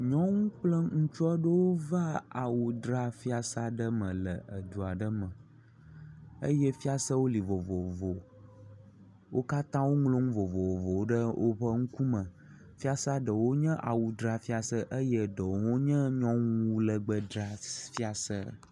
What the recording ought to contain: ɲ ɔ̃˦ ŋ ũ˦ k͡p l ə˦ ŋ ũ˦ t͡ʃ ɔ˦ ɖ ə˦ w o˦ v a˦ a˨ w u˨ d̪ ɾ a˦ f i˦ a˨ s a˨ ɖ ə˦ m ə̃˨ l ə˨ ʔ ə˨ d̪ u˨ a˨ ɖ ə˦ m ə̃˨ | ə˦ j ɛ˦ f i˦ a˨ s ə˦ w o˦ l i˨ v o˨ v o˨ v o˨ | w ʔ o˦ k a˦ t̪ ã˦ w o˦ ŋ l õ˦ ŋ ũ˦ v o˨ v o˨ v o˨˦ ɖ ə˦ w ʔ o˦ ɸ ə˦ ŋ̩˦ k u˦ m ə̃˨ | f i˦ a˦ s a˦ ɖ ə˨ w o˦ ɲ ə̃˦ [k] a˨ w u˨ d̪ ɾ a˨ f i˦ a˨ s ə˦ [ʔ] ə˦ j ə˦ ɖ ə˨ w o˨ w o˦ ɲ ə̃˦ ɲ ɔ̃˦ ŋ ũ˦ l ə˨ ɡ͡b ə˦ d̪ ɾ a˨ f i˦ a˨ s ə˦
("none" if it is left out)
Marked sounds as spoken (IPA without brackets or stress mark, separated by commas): ʔ, ʔ